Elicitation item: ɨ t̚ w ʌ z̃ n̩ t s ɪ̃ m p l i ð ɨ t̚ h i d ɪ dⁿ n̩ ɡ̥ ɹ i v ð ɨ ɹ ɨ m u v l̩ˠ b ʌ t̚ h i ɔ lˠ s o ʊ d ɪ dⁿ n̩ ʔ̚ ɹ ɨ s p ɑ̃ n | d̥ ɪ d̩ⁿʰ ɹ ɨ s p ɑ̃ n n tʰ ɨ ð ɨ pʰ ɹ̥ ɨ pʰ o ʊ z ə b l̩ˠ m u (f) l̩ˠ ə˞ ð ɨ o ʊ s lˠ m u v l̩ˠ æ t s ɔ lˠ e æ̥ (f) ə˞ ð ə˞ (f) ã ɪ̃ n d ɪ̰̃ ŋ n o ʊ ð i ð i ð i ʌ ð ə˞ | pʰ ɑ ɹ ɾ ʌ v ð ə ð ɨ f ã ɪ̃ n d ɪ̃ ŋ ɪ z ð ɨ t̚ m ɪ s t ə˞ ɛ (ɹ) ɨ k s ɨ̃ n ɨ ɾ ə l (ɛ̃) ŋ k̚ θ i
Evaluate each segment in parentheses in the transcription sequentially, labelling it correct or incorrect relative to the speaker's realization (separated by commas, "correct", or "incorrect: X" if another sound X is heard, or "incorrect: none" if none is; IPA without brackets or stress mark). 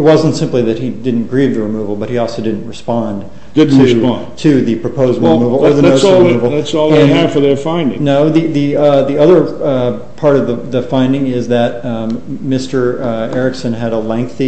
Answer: incorrect: v, correct, correct, correct, correct